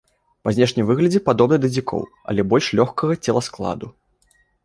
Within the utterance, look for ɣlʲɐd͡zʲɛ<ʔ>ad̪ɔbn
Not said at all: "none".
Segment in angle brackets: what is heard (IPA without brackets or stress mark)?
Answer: p